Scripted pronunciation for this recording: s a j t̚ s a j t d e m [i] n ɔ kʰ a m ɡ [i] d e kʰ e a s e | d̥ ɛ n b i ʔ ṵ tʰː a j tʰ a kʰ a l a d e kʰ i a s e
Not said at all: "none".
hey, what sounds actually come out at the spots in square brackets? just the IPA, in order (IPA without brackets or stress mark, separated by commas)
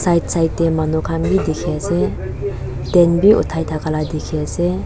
a, i